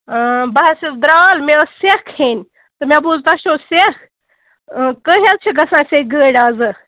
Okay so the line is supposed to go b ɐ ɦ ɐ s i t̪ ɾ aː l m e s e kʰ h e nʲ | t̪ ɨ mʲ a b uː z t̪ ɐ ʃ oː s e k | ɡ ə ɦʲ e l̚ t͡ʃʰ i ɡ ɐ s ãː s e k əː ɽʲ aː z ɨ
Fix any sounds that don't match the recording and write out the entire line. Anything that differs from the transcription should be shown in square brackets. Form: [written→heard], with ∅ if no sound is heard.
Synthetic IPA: b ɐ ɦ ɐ s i [t̪→d̪] ɾ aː l m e s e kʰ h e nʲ | t̪ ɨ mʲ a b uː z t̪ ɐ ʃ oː s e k | [ɡ→k] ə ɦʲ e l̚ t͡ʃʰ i ɡ ɐ s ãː s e [k→ɡ] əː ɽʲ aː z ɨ